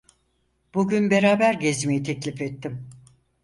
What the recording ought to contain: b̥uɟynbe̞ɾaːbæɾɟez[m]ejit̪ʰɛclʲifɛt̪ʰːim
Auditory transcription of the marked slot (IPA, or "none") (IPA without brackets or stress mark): m